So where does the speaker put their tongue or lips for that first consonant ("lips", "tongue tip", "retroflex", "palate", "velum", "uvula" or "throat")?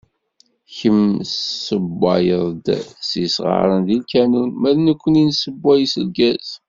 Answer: palate